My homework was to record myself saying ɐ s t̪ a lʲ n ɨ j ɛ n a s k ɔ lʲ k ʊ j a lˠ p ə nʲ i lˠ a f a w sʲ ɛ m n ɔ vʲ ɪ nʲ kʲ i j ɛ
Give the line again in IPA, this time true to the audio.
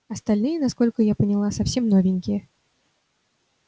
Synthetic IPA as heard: ɐ s t̪ a lʲ n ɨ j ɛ n a s k ɔ lʲ k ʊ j a p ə nʲ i lˠ a s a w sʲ ɛ m n ɔ vʲ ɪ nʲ kʲ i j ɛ